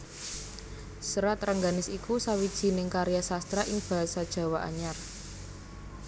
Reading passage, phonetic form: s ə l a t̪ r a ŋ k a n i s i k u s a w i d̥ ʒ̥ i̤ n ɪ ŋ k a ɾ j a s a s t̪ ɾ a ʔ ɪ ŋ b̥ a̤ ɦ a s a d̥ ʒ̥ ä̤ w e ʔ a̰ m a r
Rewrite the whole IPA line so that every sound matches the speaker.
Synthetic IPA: s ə ɾ a t̪ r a ŋ ɡ a n ɪ s i k u s a w i d̥ ʒ̥ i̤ n ɪ ŋ k a ɾ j a s a s t̪ ɾ a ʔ ɪ ŋ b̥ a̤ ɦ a s a d̥ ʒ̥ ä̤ w a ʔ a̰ ɲ a r